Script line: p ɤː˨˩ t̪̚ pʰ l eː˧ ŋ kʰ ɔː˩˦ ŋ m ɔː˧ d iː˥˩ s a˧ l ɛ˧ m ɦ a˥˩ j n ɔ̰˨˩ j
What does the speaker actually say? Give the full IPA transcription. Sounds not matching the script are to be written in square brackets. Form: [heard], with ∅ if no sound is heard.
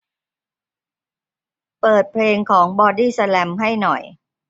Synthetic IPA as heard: p ɤː˨˩ t̪̚ pʰ l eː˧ ŋ kʰ ɔː˩˦ ŋ [b] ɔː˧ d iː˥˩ s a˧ l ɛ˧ m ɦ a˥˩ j n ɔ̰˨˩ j